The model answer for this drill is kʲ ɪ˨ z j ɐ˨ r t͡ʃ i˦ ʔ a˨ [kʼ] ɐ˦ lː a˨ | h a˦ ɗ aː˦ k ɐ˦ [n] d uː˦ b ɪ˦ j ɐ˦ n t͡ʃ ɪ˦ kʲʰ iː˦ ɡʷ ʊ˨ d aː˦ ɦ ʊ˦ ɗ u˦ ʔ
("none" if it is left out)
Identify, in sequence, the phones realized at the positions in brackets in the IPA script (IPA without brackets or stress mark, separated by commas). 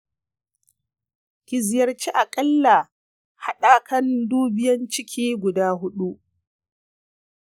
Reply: kʼ, n